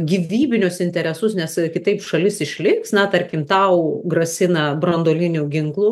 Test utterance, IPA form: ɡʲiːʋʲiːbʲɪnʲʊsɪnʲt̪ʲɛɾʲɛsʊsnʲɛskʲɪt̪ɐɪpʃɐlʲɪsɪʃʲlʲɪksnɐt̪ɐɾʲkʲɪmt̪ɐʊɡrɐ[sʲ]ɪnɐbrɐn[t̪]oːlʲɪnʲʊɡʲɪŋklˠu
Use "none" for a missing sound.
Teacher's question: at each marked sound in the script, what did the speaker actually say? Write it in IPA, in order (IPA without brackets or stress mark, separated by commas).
sʲ, d̪